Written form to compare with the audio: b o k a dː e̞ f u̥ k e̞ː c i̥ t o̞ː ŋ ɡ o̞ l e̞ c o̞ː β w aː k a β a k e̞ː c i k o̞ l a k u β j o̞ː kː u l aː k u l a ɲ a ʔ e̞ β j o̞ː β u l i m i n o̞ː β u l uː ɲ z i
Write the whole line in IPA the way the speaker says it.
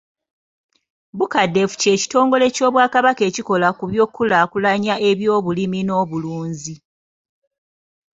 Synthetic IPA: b u k a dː e̞ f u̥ c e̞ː c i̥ t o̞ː ŋ ɡ o̞ l e̞ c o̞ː β w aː k a β a k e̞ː c i k o̞ l a k u β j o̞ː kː u l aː k u l a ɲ a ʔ e̞ β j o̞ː β u l i m i n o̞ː β u l uː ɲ z i